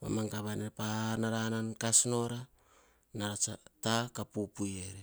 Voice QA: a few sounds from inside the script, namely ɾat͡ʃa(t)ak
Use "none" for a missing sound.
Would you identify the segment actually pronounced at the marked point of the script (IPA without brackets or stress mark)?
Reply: t